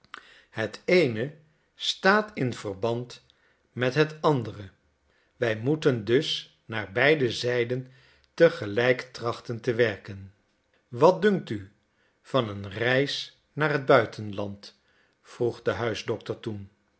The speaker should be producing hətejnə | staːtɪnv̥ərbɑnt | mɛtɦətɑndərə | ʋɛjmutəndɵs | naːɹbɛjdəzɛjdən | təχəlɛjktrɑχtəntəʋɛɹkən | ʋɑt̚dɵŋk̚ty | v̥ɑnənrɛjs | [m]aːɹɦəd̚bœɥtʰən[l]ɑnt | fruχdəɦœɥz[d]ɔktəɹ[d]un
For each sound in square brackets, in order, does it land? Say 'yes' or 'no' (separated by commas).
no, yes, yes, no